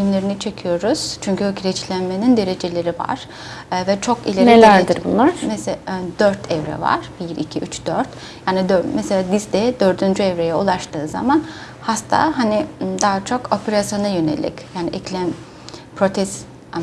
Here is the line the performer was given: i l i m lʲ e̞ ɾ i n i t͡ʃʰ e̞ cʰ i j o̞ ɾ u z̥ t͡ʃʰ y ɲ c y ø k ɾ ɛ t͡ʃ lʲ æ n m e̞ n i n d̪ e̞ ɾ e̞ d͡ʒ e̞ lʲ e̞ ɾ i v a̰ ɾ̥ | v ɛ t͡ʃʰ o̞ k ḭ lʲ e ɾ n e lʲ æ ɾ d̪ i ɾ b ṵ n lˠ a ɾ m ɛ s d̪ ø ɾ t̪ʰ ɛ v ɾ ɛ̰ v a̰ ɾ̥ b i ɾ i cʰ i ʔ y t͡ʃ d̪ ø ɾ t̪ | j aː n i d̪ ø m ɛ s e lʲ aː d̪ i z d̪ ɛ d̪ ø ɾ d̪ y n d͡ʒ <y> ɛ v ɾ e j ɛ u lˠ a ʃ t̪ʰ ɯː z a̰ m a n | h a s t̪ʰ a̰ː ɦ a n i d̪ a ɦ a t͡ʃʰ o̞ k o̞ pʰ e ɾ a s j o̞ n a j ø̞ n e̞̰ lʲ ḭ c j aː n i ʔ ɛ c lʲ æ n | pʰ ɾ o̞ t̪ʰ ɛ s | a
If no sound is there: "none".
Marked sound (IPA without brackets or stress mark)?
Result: y